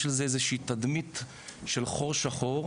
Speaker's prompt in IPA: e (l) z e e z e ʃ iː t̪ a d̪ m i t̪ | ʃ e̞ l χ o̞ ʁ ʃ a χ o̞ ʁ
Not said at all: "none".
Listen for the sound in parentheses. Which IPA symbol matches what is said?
l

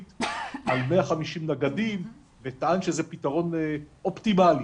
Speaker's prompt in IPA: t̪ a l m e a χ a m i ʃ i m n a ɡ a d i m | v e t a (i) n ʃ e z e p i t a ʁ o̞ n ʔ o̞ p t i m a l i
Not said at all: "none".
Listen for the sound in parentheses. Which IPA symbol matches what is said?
a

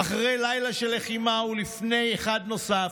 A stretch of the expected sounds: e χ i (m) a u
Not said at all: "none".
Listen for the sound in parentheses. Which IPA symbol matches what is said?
m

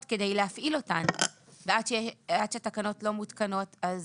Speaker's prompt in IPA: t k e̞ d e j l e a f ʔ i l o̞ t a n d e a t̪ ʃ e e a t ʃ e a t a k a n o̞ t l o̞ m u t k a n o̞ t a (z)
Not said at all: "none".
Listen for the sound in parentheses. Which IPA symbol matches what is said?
z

